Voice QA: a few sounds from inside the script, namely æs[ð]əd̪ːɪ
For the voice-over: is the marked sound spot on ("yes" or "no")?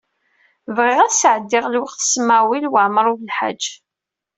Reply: no